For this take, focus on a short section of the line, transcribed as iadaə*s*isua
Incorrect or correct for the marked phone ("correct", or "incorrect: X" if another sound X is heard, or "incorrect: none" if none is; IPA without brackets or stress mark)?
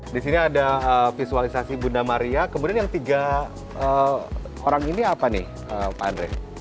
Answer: incorrect: f